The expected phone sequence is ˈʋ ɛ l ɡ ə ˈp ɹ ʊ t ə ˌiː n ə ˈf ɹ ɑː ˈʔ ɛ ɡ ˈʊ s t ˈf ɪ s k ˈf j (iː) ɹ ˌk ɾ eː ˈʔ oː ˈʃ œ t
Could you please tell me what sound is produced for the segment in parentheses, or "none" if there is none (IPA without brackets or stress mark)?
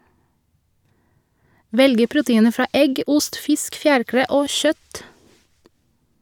æː